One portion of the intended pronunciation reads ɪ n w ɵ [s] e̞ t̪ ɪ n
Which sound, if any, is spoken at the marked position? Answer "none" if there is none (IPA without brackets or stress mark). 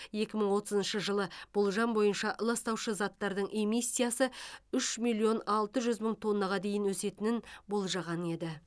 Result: s